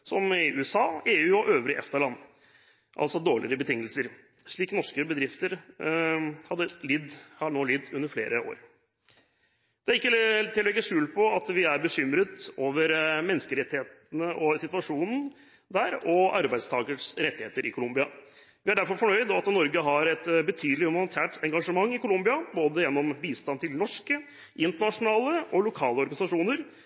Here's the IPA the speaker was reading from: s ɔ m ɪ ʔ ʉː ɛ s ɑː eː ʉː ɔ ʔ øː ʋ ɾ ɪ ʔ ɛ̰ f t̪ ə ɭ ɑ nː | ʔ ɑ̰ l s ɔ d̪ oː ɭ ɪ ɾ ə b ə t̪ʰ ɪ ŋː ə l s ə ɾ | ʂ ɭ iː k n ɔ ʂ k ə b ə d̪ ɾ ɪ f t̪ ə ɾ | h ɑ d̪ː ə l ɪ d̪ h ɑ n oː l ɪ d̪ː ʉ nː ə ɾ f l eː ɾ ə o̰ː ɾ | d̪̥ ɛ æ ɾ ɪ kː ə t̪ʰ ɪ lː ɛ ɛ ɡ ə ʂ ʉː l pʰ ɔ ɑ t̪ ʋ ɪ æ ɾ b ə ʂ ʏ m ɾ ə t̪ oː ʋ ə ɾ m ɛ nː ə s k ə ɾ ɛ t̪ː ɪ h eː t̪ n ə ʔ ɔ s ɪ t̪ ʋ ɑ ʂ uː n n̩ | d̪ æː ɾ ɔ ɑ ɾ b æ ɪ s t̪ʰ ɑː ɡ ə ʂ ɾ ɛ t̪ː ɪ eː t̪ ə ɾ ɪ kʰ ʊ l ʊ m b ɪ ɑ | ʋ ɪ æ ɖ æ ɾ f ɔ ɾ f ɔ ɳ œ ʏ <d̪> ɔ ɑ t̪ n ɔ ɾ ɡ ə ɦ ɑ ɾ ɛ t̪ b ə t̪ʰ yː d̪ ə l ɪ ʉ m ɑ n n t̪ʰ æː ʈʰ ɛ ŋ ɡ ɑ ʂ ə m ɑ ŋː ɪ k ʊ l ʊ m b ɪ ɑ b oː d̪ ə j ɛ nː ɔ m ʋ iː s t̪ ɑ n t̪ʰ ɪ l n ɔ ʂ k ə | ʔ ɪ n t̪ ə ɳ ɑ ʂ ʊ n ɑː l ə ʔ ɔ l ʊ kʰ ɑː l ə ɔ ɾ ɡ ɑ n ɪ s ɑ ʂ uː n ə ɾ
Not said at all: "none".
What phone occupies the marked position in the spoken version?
d̪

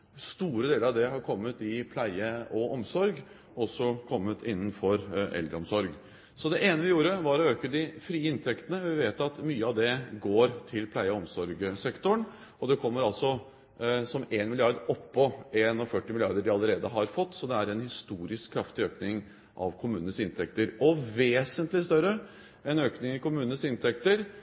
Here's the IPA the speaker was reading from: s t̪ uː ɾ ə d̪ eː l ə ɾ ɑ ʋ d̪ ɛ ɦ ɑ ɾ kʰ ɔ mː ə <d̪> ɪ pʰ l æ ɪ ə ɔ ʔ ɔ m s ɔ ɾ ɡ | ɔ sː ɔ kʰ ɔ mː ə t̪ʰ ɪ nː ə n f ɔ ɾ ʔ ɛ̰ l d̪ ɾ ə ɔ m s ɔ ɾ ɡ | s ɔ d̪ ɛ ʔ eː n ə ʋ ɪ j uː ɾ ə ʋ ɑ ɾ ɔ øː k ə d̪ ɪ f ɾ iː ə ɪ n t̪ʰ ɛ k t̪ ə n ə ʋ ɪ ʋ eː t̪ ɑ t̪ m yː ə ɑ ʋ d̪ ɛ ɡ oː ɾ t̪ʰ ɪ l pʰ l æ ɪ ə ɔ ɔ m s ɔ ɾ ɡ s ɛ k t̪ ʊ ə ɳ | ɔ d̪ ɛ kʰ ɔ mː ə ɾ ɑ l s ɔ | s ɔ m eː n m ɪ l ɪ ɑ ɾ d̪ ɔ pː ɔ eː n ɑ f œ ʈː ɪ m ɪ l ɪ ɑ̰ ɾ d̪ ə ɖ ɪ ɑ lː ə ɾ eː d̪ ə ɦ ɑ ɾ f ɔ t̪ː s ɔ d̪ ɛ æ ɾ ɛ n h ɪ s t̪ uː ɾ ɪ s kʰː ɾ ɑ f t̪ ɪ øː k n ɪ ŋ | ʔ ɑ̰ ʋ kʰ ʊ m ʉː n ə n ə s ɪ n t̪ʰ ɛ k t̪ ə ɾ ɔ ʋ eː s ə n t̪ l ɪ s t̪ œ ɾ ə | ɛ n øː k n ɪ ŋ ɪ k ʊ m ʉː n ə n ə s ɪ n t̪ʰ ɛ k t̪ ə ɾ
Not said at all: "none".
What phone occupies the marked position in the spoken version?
t̪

